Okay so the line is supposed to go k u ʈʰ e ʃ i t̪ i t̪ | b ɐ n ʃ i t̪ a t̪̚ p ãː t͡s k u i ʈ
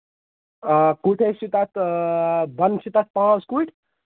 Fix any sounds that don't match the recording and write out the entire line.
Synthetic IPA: k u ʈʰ e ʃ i t̪ a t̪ | b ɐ n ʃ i t̪ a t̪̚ p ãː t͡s k u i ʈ